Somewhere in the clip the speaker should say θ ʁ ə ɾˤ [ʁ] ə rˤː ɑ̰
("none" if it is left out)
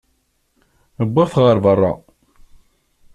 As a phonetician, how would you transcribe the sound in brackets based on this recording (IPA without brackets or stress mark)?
v